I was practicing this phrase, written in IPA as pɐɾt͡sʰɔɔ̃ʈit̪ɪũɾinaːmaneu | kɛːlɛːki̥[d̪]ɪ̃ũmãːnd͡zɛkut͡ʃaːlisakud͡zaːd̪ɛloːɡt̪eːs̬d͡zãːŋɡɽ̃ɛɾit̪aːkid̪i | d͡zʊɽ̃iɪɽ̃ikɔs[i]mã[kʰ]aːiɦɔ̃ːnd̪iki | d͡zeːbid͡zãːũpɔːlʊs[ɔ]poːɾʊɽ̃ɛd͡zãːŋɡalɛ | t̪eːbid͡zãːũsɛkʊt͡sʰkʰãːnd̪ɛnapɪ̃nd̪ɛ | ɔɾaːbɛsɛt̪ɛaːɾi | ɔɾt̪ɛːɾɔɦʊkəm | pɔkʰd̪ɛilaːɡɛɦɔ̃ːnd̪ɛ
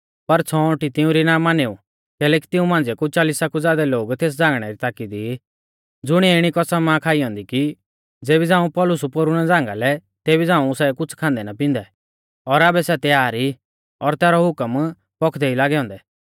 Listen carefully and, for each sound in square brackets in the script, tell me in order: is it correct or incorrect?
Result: incorrect: t̪, incorrect: a, correct, incorrect: u

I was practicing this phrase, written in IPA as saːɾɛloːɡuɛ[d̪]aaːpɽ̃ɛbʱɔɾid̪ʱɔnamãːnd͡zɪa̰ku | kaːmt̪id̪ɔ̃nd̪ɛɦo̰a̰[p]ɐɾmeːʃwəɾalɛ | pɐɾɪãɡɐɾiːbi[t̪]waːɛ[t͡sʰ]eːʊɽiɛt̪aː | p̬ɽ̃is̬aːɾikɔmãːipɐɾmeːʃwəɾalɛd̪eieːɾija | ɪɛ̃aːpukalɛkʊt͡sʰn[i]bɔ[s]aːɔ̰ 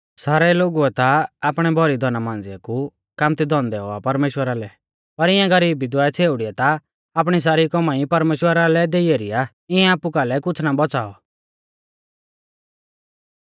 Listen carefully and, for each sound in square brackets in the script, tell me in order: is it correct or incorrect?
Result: incorrect: t̪, correct, incorrect: d̪, correct, incorrect: a, incorrect: t͡s

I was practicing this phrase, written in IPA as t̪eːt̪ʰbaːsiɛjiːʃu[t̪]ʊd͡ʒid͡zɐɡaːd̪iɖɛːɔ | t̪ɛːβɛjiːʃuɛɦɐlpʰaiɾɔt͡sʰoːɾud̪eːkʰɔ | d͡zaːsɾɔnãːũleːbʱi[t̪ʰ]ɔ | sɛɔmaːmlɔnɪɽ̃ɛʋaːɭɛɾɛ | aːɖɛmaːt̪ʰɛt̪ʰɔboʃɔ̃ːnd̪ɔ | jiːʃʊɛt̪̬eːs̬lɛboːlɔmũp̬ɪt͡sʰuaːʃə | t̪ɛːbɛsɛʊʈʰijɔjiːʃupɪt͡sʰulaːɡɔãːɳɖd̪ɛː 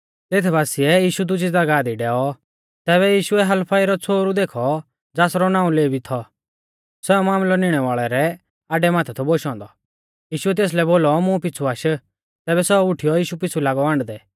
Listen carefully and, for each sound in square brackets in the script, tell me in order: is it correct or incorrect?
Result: incorrect: d̪, correct

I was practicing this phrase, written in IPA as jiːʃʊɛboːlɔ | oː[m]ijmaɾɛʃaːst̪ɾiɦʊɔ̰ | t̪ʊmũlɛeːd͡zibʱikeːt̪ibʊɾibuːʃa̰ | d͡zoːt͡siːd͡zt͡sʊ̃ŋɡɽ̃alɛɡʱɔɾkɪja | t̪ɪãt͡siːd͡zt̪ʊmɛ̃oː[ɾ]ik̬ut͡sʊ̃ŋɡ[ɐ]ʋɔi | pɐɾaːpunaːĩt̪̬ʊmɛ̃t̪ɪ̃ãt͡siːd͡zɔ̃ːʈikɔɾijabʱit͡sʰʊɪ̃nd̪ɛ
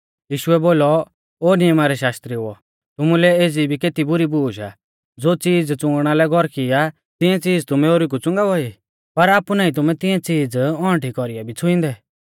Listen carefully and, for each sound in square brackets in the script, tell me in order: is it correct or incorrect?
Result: incorrect: n, correct, incorrect: a

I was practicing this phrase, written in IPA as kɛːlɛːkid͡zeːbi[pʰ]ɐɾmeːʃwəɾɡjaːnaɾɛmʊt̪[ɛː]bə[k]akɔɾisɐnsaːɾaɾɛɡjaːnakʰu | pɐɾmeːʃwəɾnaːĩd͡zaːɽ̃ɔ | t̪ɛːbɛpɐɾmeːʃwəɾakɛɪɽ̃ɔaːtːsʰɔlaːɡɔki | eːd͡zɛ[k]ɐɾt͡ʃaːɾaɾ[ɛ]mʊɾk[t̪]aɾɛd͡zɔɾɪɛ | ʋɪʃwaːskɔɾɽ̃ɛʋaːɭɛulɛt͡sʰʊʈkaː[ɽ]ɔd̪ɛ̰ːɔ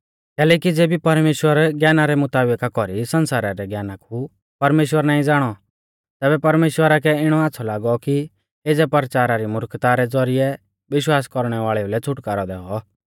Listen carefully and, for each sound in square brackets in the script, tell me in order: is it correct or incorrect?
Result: incorrect: p, incorrect: aː, correct, incorrect: p, incorrect: i, correct, incorrect: ɾ

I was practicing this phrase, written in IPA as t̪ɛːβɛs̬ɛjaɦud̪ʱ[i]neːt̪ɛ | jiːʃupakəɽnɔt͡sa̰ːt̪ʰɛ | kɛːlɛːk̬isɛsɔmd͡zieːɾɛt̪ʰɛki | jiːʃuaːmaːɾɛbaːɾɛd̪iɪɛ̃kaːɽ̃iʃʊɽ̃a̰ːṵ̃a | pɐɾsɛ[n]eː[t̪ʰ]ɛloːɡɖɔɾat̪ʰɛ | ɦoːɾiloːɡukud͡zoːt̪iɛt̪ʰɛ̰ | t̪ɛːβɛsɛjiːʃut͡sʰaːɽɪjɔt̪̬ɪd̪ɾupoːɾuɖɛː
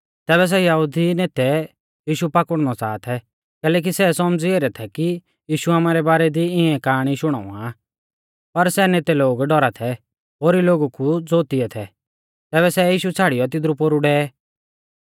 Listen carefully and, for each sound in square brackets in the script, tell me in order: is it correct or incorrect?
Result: correct, correct, incorrect: t̪

